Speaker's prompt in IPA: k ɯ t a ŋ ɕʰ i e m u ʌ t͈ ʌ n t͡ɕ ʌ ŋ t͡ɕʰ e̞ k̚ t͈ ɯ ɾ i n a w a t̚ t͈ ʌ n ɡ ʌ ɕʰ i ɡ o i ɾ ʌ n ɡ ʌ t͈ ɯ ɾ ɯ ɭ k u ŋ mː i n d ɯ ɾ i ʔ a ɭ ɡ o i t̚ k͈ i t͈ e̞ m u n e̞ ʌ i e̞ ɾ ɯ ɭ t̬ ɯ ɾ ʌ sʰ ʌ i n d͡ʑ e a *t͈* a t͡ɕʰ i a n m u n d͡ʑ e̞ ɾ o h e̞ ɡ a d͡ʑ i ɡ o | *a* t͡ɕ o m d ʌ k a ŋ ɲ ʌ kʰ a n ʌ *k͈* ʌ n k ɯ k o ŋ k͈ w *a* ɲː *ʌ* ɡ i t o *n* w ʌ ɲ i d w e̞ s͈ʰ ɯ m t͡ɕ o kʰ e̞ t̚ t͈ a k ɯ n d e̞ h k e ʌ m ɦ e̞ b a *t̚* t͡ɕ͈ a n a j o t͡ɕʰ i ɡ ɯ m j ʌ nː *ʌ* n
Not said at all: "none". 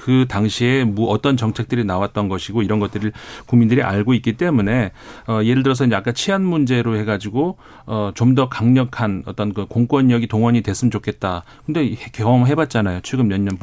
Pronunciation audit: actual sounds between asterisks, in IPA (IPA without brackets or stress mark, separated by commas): k͈, ʌ, t͈, ʌ, ʌ, ŋ, t̚, ʌ